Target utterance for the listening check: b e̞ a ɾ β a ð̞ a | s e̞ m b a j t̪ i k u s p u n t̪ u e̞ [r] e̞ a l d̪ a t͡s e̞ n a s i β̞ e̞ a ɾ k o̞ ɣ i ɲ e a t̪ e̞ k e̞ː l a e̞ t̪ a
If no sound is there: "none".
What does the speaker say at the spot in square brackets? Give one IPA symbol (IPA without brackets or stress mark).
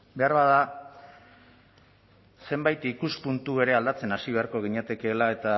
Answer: ɾ